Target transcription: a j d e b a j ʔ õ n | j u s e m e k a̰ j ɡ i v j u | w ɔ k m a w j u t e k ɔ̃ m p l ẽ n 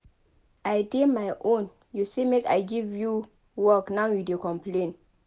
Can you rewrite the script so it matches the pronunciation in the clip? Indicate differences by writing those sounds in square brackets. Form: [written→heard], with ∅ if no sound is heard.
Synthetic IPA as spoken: a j d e [b→m] a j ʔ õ n | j u s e m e k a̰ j ɡ i v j u | w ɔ k [m→n] a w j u [t→d] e k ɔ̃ m p l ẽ n